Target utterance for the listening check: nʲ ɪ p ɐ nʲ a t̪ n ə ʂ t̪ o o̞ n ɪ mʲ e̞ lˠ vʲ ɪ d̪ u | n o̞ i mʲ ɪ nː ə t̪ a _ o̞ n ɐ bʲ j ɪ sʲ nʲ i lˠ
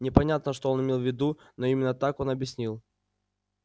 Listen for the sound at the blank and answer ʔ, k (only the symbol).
k